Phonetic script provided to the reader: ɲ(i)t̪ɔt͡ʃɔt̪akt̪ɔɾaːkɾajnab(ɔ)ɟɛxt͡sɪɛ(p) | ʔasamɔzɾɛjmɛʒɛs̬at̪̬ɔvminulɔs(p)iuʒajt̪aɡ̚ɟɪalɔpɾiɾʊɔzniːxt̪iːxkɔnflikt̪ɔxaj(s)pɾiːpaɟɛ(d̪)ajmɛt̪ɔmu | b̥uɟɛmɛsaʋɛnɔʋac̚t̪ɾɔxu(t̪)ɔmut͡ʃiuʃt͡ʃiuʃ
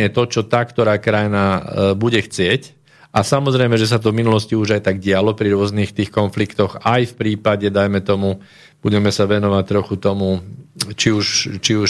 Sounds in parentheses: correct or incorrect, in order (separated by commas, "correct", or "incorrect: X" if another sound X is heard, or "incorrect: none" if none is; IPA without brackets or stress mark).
incorrect: ɛ, incorrect: u, incorrect: c, incorrect: c, incorrect: f, correct, correct